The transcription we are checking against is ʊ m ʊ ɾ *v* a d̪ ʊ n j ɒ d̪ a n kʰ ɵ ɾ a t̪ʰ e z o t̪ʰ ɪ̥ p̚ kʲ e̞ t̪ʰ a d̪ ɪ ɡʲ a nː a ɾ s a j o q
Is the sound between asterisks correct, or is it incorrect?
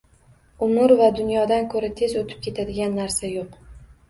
correct